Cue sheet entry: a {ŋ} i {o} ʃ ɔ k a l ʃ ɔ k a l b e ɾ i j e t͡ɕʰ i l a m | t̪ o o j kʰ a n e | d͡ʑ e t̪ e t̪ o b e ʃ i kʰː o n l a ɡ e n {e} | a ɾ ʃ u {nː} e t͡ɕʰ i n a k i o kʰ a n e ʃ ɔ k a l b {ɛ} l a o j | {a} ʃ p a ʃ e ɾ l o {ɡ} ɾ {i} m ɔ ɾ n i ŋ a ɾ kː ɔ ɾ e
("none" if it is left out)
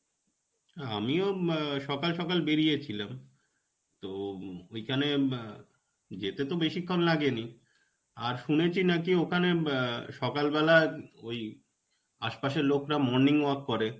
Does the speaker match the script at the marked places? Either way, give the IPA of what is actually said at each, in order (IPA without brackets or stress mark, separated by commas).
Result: m, o, i, n, ɛ, a, k, a